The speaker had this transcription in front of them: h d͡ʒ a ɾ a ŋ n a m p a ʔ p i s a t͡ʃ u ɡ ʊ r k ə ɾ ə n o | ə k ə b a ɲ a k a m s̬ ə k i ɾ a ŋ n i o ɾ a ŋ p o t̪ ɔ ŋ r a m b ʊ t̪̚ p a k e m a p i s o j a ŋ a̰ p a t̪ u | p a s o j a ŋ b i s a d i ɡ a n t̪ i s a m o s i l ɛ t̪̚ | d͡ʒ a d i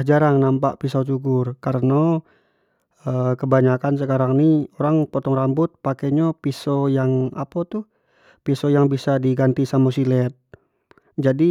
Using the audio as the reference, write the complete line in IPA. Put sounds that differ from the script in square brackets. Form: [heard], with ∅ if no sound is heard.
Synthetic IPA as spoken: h d͡ʒ a ɾ a ŋ n a m p a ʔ p i s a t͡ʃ u ɡ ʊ r k [a] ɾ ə n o | ə k ə b a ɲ a k a [n] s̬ ə k [a] ɾ a ŋ n i o ɾ a ŋ p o t̪ ɔ ŋ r a m b ʊ t̪̚ p a k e [ɲ] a p i s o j a ŋ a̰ p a t̪ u | p [i] s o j a ŋ b i s a d i ɡ a n t̪ i s a m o s i l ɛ t̪̚ | d͡ʒ a d i